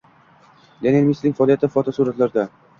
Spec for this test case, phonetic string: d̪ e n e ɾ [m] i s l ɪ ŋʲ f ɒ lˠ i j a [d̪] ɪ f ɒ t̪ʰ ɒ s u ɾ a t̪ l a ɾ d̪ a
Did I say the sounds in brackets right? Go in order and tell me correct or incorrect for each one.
correct, incorrect: t̪

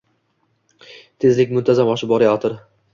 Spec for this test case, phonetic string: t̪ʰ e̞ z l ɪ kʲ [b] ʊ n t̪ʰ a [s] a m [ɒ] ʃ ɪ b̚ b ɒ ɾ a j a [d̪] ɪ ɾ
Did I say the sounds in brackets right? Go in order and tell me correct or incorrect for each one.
incorrect: m, incorrect: z, correct, incorrect: t̪

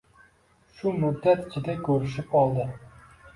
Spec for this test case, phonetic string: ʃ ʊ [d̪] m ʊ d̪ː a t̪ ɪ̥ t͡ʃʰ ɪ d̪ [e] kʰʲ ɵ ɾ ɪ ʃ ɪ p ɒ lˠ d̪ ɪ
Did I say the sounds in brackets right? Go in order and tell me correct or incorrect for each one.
incorrect: none, incorrect: a

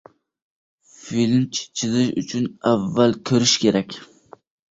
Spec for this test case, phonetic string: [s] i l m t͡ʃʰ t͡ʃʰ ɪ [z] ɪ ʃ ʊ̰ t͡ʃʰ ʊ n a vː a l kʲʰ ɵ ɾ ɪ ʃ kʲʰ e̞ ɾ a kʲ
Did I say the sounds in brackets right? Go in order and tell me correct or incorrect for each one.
incorrect: f, correct

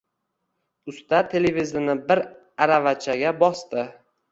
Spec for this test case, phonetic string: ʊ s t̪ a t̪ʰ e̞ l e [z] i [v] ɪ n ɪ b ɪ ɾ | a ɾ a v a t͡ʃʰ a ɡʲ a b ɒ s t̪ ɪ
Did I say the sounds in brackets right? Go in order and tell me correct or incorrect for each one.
incorrect: v, incorrect: z

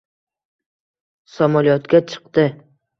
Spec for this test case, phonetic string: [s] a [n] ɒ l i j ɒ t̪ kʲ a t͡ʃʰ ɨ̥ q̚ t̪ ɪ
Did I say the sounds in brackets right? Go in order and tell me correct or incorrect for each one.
correct, incorrect: m

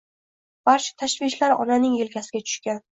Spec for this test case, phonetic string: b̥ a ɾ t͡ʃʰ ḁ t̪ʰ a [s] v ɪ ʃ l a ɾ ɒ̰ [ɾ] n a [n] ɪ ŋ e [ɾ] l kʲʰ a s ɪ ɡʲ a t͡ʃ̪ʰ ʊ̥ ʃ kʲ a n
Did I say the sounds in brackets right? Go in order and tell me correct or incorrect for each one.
incorrect: ʃ, incorrect: none, correct, incorrect: none

